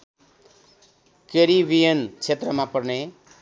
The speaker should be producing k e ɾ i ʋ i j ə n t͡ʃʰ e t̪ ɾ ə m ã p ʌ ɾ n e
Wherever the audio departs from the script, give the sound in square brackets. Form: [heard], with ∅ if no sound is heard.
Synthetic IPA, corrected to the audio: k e ɾ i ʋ i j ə n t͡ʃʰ e t̪ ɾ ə m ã p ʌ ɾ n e